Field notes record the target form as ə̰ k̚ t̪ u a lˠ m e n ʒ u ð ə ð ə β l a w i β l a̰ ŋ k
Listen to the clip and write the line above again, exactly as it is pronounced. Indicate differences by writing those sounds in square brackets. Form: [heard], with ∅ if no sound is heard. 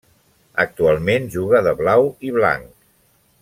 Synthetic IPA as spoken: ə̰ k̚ t̪ u a lˠ m e n ʒ u [ɣ] ə ð ə β l a w i β l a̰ ŋ k